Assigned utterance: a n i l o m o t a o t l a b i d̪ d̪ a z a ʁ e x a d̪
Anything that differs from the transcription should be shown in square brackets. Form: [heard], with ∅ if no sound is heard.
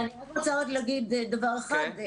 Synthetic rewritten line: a n i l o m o [t͡s] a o t l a [ɡ] i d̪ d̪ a [v] a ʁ e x a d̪